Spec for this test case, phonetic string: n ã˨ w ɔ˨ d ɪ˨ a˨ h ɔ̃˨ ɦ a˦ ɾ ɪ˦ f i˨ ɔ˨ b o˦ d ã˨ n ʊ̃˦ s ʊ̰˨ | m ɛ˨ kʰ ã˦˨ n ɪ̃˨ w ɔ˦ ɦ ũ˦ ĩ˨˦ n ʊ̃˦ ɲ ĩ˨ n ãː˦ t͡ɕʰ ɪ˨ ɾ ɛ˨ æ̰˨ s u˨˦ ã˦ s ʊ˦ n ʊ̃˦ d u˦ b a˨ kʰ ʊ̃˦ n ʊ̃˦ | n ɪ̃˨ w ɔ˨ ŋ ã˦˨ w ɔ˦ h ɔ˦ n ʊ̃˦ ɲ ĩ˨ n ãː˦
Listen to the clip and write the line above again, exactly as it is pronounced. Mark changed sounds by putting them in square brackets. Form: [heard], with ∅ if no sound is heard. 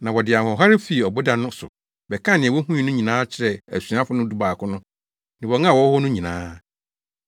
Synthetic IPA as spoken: n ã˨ w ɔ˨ d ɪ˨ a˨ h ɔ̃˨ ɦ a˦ ɾ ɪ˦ f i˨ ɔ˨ b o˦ d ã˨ n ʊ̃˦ s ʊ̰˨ | [b] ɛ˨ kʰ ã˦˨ n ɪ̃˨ w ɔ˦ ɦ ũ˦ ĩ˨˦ n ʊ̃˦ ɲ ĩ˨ n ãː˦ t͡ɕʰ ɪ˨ ɾ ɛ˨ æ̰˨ s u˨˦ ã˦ [f] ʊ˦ n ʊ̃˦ d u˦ b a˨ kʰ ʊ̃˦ n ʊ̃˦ | n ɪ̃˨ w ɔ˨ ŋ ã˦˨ w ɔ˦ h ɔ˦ n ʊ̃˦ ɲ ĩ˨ n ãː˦